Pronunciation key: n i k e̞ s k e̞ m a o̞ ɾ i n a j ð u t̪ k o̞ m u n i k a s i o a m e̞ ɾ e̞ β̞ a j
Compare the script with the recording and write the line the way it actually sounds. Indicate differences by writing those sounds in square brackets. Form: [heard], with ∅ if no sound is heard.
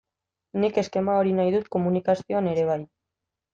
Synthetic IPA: n i k e̞ s k e̞ m a o̞ ɾ i n a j ð u t̪ k o̞ m u n i k a s i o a [n] e̞ ɾ e̞ β̞ a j

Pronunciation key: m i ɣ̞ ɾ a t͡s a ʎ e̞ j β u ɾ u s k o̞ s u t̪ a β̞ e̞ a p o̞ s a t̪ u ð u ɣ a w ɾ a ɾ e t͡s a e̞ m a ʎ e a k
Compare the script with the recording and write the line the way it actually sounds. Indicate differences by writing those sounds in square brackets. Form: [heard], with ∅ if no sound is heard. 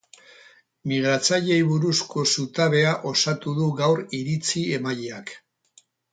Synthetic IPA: m i ɣ̞ ɾ a t͡s a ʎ e̞ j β u ɾ u s k o̞ s u t̪ a β̞ e̞ a [ʔ] o̞ s a t̪ u ð u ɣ a w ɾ [i] ɾ [i] t͡s [i] e̞ m a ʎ e a k

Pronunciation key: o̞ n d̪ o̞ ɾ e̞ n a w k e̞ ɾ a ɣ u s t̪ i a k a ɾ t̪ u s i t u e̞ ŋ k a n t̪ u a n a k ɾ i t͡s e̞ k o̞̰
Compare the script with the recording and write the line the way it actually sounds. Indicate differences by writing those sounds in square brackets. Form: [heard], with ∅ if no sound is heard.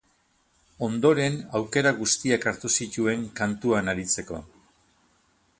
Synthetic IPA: o̞ n d̪ o̞ ɾ e̞ n a w k e̞ ɾ a ɣ u s t̪ i a k a ɾ t̪ u s i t u e̞ ŋ k a n t̪ u a n a [∅] ɾ i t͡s e̞ k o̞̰

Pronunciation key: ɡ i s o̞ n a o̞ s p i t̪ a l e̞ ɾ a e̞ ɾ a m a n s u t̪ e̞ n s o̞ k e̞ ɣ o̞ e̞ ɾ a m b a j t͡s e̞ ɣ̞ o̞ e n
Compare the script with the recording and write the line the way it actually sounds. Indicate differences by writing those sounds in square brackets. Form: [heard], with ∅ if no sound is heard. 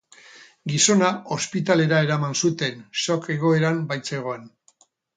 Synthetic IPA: ɡ i s o̞ n a o̞ s p i t̪ a l e̞ ɾ a e̞ ɾ a m a n s u t̪ e̞ n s o̞ k e̞ ɣ o̞ e̞ ɾ a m b a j t͡s e̞ ɣ̞ o̞ e n

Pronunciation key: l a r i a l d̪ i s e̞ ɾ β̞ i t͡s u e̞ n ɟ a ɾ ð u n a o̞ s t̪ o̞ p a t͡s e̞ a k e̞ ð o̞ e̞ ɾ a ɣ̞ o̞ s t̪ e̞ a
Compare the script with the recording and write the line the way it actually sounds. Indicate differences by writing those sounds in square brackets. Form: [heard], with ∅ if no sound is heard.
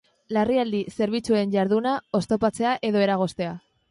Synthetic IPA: l a r i a l d̪ i s e̞ ɾ β̞ i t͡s u e̞ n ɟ a ɾ ð u n a o̞ s t̪ o̞ p a t͡s e̞ a [ʔ] e̞ ð o̞ e̞ ɾ a ɣ̞ o̞ s t̪ e̞ a

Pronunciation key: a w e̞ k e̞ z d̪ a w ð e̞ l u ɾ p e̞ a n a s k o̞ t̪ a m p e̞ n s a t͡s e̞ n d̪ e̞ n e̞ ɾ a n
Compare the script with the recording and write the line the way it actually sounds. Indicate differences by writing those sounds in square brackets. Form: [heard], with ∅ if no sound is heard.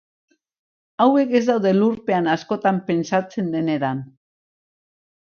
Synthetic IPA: a w e̞ k e̞ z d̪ a w ð e̞ l u ɾ p e̞ a n a s k o̞ t̪ a m p e̞ n s a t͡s e̞ n d̪ e̞ n e̞ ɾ a n

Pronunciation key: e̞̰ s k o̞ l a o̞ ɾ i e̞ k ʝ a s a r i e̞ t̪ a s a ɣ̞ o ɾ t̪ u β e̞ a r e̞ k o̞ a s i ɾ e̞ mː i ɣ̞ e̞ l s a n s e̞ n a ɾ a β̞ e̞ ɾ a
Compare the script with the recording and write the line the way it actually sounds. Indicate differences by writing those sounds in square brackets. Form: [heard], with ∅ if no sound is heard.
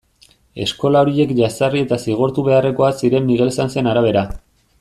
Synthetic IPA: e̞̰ s k o̞ l a o̞ ɾ i e̞ k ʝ a s a r i e̞ t̪ a s [i] ɣ̞ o ɾ t̪ u β e̞ a r e̞ k o̞ a s i ɾ e̞ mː i ɣ̞ e̞ l s a n s e̞ n a ɾ a β̞ e̞ ɾ a

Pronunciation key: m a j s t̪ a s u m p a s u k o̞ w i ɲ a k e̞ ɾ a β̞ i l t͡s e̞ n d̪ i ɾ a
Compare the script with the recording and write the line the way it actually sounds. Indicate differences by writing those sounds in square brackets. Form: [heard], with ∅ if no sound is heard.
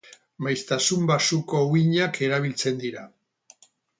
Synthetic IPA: m a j s t̪ a s u m [b] a s u k o̞ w i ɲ a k e̞ ɾ a β̞ i l t͡s e̞ n d̪ i ɾ a

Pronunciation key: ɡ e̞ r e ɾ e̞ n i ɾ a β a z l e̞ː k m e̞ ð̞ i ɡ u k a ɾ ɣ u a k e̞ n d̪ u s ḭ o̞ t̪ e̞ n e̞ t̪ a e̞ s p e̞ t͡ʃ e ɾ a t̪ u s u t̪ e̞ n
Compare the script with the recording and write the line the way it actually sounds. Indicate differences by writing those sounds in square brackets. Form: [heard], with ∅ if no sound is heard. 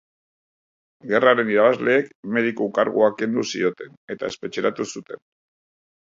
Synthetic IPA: ɡ e̞ r [a] ɾ e̞ n i ɾ a β a z l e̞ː k m e̞ ð̞ i [k] u k a ɾ ɣ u a k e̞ n d̪ u s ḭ o̞ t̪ e̞ n e̞ t̪ a e̞ s p e̞ t͡ʃ e ɾ a t̪ u s u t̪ e̞ n

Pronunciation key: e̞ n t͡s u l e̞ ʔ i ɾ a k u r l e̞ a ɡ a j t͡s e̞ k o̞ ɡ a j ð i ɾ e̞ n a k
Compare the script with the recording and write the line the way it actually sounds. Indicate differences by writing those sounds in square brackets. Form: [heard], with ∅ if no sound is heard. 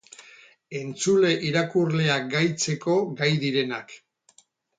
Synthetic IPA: e̞ n t͡s u l e̞ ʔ i ɾ a k u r l e̞ a ɡ a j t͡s e̞ k o̞ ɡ a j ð i ɾ e̞ n a k

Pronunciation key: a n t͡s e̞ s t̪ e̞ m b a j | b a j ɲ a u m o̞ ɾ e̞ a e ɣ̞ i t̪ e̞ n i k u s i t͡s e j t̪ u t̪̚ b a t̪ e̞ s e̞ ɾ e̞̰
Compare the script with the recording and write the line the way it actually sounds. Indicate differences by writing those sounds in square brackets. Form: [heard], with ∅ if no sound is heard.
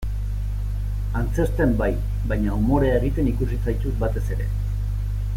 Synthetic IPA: a n t͡s e̞ s t̪ e̞ m b a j | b a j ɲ a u m o̞ ɾ e̞ a e ɣ̞ i t̪ e̞ n i k u s i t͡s [a] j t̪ u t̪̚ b a t̪ e̞ s e̞ ɾ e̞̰

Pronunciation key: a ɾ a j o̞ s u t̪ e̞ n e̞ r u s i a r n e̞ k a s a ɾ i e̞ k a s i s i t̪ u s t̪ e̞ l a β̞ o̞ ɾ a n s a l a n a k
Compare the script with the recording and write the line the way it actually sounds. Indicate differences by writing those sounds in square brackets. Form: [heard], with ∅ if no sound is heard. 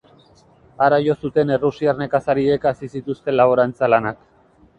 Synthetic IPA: a ɾ a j o̞ s u t̪ e̞ n e̞ r u s i a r n e̞ k a s a ɾ i e̞ k a s i s i t̪ u s t̪ e̞ l a β̞ o̞ ɾ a n [t͡s] a l a n a k

